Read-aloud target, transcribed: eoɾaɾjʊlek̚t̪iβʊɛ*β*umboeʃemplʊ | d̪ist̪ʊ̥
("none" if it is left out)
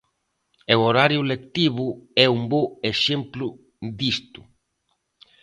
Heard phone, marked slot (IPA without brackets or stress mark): none